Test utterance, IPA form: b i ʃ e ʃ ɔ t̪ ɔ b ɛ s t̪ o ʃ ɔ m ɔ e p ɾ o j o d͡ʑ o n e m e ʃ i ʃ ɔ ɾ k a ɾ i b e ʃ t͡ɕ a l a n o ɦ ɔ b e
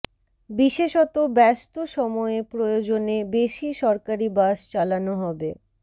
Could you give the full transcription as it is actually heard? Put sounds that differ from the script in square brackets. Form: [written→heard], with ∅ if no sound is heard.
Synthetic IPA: b i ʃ e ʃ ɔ t̪ [ɔ→o] b ɛ s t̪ o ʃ ɔ m ɔ e p ɾ o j o d͡ʑ o n e [m→b] e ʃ i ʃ ɔ ɾ k a ɾ i b [e→a] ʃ t͡ɕ a l a n o ɦ ɔ b e